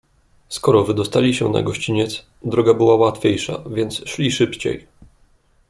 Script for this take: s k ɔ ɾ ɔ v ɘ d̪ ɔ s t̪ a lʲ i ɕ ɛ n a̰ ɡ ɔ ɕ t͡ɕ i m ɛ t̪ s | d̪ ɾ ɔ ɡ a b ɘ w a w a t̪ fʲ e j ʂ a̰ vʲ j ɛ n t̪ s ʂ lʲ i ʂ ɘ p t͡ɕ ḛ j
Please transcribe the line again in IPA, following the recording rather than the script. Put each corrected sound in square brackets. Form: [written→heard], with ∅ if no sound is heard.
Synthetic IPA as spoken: s k ɔ ɾ ɔ v ɘ d̪ ɔ s t̪ a lʲ i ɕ ɛ n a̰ ɡ ɔ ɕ t͡ɕ i [m→ɲ] ɛ t̪ s | d̪ ɾ ɔ ɡ a b ɘ w a w a t̪ fʲ e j ʂ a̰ vʲ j ɛ n t̪ s ʂ lʲ i ʂ ɘ p t͡ɕ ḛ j